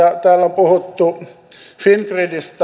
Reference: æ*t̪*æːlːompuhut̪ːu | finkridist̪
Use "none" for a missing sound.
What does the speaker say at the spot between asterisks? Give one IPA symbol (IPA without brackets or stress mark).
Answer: t̪